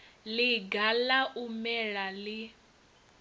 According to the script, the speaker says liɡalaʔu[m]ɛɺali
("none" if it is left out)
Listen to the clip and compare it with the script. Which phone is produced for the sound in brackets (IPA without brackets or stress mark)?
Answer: m